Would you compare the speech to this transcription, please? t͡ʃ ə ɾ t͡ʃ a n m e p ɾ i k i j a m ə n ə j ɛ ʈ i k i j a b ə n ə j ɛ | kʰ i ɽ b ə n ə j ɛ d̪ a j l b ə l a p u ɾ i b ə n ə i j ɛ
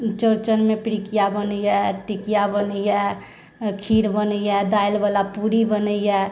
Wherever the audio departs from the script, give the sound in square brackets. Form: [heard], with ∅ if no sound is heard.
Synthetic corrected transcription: t͡ʃ ə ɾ t͡ʃ [ə] n m e p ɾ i k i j a [b] ə n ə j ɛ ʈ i k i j a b ə n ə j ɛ | kʰ i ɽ b ə n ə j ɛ d̪ a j l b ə l a p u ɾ i b ə n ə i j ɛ